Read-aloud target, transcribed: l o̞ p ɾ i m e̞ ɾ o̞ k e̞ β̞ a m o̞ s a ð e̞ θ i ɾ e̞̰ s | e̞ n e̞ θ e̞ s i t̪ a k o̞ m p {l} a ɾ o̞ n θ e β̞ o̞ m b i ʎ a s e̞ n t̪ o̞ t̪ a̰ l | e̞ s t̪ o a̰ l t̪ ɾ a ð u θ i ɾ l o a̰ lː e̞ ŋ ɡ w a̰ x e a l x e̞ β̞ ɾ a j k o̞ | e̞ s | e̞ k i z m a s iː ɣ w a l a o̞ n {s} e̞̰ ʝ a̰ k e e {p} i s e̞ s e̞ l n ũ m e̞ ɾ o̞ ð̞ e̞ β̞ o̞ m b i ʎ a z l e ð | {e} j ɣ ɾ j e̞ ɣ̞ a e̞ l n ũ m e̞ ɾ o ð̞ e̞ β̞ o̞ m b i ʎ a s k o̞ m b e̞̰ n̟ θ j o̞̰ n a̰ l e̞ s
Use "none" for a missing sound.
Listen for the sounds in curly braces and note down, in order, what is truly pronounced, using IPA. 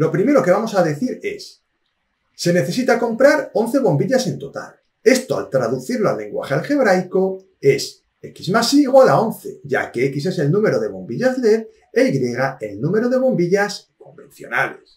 ɾ, θ, k, e

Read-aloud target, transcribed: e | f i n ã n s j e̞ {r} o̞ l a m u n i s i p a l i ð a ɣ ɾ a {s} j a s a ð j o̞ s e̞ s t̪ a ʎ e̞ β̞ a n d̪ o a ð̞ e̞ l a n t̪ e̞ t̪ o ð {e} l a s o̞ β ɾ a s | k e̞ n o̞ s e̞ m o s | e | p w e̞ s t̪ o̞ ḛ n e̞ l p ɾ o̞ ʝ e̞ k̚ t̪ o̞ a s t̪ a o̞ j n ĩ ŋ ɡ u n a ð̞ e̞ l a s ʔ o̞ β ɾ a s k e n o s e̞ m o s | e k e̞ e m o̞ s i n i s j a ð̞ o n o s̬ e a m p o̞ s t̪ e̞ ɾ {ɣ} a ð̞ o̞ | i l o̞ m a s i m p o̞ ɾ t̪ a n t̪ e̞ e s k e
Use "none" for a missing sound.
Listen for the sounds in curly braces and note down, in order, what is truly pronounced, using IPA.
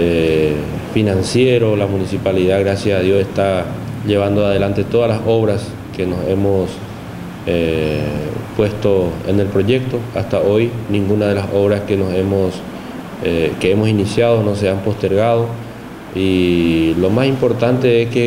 ɾ, s, a, ɣ

